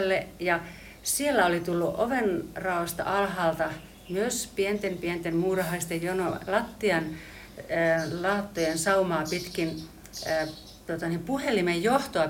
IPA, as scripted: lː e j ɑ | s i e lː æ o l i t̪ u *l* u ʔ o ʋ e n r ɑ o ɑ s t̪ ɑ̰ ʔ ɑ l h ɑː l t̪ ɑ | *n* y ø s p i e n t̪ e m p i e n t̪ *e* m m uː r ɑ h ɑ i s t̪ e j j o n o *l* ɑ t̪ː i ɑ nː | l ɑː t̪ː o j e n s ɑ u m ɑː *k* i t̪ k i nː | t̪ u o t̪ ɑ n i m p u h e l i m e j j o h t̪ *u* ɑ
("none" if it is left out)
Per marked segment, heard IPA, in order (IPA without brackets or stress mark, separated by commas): lː, m, e, l, p, o